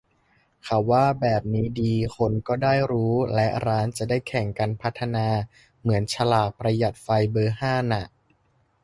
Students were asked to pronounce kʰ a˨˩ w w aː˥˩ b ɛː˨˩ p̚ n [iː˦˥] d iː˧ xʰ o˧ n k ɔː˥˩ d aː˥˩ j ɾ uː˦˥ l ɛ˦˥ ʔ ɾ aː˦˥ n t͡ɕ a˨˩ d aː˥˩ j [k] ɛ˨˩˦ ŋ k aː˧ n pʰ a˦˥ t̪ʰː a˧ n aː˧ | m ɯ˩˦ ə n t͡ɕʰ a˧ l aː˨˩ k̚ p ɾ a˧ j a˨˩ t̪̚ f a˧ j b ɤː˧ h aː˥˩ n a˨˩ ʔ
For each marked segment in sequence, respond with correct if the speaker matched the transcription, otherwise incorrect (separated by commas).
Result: correct, incorrect